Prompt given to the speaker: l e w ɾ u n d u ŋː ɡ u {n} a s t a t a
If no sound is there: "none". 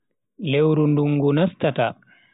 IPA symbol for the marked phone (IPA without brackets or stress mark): n